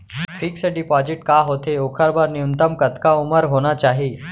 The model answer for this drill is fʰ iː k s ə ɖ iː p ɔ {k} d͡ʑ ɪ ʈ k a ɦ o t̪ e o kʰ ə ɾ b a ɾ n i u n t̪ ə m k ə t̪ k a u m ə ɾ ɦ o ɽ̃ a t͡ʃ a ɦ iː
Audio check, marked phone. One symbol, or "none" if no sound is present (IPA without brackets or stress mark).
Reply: none